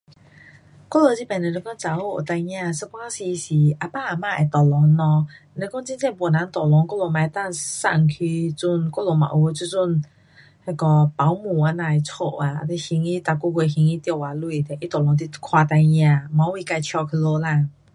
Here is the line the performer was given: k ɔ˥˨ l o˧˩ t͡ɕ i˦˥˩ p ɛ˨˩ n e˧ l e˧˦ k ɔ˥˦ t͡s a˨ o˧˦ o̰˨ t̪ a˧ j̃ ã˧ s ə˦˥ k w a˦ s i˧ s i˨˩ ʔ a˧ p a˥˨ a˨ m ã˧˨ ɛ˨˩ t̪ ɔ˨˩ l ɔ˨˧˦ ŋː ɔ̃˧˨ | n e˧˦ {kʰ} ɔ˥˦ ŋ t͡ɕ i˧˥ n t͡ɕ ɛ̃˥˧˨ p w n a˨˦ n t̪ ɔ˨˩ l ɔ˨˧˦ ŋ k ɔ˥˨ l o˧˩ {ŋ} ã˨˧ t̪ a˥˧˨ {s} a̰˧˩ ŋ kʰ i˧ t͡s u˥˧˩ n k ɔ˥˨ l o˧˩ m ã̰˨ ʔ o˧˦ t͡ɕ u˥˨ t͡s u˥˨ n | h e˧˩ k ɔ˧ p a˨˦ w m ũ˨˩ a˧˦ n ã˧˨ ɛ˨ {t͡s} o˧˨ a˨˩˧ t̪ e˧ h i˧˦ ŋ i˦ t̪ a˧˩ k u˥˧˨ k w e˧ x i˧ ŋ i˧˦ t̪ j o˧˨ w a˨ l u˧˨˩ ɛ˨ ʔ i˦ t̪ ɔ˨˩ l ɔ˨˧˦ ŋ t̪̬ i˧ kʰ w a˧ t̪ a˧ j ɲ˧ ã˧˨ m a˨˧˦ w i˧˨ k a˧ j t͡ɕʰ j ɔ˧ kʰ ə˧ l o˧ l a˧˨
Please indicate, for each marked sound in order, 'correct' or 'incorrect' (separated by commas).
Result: incorrect, incorrect, correct, incorrect